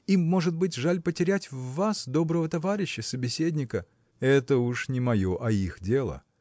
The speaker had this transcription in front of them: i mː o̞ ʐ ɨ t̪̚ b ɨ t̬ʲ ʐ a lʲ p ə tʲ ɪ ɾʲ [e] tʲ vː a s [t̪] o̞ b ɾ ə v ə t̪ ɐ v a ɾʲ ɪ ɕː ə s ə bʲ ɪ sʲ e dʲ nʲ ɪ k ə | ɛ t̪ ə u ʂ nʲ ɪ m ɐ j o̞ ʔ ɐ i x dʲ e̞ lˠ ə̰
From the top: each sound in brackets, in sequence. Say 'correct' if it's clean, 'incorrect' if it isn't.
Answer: incorrect: æ, incorrect: d̪

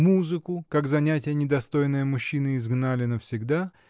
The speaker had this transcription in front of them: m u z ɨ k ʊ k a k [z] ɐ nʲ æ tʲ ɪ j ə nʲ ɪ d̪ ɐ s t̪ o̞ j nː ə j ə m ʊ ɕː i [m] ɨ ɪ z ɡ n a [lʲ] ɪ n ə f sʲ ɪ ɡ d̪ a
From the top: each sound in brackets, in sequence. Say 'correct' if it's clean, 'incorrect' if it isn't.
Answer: correct, incorrect: n, correct

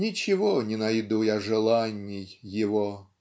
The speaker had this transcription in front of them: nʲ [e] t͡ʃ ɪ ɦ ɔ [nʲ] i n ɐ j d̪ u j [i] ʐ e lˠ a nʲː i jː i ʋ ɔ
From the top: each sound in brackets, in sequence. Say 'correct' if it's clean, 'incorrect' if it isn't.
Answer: incorrect: i, correct, incorrect: a

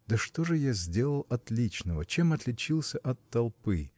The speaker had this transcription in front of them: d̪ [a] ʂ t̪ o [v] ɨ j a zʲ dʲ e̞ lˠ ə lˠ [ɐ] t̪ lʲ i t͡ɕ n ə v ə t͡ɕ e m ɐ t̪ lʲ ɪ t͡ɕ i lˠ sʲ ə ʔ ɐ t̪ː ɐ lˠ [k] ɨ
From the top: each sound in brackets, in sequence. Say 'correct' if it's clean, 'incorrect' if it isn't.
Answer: incorrect: ə, incorrect: ʐ, correct, incorrect: p

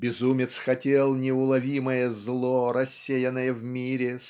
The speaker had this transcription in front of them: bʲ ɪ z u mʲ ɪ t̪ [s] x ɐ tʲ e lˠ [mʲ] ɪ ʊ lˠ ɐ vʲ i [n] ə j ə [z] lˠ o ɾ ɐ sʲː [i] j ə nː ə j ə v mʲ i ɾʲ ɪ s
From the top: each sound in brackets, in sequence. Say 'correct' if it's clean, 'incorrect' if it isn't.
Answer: correct, incorrect: nʲ, incorrect: m, correct, incorrect: e

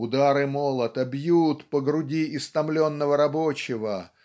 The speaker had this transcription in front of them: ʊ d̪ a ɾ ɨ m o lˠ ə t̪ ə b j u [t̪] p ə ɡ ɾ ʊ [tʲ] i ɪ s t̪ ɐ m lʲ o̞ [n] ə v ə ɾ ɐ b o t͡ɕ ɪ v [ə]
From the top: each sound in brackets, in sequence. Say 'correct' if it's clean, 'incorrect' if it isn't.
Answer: correct, incorrect: dʲ, incorrect: nː, correct

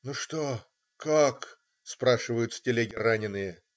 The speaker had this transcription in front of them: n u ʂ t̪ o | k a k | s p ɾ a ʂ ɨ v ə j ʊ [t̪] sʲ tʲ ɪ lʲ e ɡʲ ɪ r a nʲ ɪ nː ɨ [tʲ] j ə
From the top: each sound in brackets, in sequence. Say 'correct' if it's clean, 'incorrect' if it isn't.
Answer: correct, incorrect: none

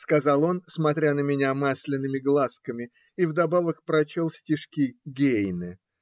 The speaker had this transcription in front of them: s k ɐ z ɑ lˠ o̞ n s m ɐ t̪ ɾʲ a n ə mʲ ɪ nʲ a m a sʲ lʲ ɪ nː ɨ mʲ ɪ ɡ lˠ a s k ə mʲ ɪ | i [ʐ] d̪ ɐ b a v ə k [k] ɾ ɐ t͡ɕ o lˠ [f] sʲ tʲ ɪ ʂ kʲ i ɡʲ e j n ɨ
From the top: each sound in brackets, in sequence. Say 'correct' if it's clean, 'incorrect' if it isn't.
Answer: incorrect: v, incorrect: p, correct

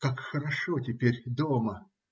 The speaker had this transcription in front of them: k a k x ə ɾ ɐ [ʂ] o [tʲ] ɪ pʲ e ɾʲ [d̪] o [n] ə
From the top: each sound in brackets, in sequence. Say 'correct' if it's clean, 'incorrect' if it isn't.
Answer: correct, correct, correct, incorrect: m

